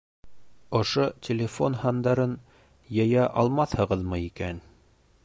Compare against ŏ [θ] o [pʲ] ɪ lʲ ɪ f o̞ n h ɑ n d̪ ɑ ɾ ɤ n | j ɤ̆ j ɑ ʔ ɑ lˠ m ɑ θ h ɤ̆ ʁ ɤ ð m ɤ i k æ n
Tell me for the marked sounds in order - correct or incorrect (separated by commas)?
incorrect, incorrect